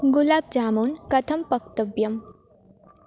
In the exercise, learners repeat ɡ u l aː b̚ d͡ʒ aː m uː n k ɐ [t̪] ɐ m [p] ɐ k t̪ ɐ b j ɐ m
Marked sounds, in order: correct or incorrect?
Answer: incorrect, correct

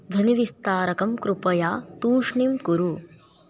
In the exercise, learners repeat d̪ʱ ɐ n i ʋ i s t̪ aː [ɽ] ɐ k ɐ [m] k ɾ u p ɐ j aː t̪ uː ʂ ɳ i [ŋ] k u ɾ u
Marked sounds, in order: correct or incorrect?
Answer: incorrect, correct, incorrect

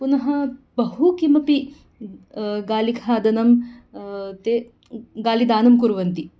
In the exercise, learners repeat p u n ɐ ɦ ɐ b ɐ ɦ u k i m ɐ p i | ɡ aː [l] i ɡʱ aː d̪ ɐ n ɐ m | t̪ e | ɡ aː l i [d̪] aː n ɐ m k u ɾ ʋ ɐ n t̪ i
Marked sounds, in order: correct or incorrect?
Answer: correct, correct

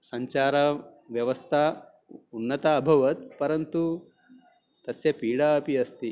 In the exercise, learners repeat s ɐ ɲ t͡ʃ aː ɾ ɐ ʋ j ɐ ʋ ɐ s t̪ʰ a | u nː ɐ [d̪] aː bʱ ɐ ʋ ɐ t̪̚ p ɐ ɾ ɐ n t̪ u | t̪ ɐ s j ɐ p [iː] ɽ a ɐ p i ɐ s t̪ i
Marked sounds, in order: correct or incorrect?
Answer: incorrect, correct

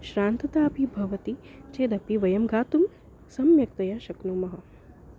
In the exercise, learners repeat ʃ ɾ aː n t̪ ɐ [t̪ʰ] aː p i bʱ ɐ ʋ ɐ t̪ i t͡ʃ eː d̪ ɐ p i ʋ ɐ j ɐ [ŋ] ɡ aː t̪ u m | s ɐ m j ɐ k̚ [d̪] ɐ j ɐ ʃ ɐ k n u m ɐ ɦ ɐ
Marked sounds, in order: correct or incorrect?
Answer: incorrect, incorrect, incorrect

